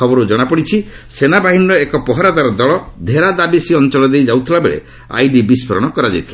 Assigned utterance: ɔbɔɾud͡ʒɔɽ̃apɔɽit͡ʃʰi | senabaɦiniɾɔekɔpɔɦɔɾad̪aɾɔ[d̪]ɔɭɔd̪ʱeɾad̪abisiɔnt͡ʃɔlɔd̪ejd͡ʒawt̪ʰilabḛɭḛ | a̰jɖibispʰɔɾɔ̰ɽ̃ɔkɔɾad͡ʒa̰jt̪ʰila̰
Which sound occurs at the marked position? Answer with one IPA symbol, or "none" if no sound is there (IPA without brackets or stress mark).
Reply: d̪